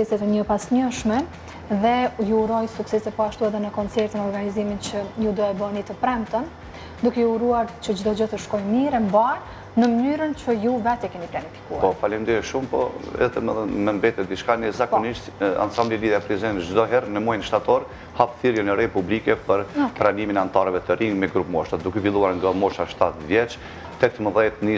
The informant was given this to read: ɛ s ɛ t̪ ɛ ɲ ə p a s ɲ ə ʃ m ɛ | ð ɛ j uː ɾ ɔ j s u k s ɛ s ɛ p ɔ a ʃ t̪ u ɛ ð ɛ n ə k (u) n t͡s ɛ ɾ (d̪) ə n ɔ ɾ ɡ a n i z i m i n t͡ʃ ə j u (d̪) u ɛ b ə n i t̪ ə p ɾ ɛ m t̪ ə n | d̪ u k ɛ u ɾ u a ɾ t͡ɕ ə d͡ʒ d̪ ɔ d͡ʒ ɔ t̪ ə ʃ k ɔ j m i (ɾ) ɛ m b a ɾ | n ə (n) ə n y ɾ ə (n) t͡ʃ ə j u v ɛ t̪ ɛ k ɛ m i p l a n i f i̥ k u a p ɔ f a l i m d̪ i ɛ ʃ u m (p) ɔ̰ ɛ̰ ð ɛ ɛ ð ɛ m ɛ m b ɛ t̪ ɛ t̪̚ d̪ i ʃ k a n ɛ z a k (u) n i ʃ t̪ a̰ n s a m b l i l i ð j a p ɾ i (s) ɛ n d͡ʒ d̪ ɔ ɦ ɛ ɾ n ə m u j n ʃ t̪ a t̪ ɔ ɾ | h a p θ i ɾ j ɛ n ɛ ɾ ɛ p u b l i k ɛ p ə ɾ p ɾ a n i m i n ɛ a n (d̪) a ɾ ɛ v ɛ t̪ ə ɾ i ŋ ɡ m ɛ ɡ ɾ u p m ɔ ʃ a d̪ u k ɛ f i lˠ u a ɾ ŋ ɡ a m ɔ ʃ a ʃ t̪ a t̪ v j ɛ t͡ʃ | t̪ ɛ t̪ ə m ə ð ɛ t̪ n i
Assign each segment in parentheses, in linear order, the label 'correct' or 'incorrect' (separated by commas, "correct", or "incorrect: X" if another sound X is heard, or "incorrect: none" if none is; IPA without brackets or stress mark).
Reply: incorrect: ɔ, incorrect: t̪, correct, correct, incorrect: m, correct, correct, incorrect: ɔ, incorrect: z, incorrect: t̪